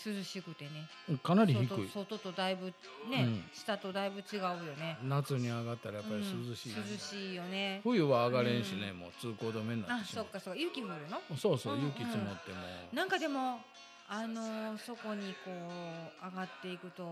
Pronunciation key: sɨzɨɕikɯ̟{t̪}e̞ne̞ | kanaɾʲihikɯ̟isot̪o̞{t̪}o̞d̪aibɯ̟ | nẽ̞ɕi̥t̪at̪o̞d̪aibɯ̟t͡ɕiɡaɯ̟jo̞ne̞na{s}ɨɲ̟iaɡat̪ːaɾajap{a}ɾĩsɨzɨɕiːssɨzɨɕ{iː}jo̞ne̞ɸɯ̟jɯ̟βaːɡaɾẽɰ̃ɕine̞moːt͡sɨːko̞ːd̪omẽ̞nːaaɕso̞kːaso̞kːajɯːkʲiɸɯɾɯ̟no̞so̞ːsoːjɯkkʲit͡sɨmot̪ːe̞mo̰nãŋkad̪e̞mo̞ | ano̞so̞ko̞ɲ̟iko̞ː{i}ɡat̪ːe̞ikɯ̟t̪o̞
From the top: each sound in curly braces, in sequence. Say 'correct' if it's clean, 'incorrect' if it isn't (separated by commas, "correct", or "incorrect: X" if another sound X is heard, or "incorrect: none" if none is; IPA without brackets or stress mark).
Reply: correct, correct, incorrect: t͡s, correct, correct, incorrect: a